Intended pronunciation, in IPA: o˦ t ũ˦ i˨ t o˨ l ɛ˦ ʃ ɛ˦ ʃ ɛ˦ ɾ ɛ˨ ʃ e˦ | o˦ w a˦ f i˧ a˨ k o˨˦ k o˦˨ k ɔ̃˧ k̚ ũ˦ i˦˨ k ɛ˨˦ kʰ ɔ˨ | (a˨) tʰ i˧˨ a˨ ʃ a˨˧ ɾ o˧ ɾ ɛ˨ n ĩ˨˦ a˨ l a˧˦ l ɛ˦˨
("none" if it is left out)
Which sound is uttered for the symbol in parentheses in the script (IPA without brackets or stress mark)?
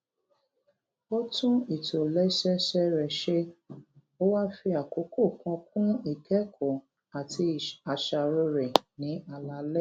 a˨